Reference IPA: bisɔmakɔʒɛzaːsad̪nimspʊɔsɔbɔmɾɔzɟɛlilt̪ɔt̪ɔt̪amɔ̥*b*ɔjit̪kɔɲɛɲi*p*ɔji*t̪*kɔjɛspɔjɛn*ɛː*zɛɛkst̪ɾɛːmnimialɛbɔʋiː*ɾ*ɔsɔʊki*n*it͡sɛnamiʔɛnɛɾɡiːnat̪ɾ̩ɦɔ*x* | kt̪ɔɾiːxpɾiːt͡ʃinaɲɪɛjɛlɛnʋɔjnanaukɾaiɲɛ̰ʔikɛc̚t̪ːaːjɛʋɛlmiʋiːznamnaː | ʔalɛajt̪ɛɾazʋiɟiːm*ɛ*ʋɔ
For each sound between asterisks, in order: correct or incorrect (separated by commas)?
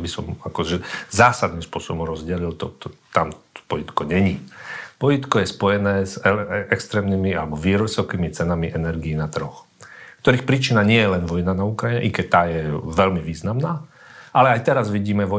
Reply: incorrect, correct, correct, correct, correct, incorrect, correct, correct